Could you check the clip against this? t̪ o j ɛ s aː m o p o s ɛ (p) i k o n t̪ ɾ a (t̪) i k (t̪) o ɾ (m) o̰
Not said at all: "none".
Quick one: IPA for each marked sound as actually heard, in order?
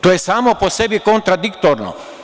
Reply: b, d̪, t̪, n

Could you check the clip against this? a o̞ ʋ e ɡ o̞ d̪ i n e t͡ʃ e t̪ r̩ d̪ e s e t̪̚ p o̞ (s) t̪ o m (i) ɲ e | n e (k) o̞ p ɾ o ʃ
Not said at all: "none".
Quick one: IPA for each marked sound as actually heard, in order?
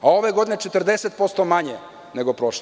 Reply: s, a, ɡ

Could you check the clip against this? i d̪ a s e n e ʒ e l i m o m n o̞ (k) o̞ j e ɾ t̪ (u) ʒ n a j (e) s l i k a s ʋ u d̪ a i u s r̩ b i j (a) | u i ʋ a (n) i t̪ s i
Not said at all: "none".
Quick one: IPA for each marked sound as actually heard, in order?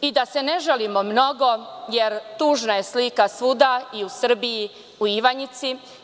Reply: ɡ, uː, e, i, ɲ

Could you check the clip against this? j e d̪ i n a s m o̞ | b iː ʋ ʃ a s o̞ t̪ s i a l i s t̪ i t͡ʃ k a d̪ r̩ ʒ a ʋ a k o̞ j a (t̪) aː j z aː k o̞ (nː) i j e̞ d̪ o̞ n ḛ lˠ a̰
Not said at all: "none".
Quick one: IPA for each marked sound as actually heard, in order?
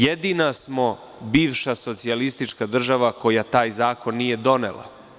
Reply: t̪, nː

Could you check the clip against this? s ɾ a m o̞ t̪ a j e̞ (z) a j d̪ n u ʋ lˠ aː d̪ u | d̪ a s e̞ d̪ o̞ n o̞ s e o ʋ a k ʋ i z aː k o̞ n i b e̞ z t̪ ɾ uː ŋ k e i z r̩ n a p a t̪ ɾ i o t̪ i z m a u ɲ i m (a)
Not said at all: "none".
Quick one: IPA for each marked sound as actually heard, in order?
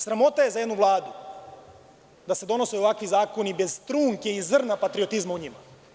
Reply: z, a

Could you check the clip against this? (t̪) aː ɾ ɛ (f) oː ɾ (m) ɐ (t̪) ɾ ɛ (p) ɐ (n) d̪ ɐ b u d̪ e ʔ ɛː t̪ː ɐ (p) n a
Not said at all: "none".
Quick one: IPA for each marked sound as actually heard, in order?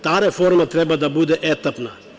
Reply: t̪, f, m, t̪, b, none, p

